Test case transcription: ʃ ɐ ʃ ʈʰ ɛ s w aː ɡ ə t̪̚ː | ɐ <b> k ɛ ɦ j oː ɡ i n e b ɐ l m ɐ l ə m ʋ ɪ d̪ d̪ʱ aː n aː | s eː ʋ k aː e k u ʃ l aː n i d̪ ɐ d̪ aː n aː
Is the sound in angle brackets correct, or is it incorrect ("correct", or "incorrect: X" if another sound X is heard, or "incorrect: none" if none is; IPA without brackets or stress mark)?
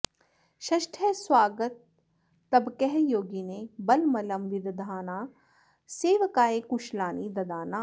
correct